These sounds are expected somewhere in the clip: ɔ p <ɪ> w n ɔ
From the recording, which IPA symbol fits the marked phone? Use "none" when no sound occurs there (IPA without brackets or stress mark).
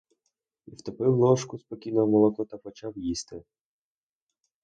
ɪ